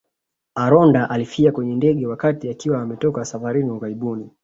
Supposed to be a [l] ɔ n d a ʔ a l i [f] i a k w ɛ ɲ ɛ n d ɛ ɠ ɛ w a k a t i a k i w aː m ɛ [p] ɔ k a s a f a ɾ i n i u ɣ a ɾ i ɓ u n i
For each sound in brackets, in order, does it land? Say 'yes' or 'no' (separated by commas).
no, yes, no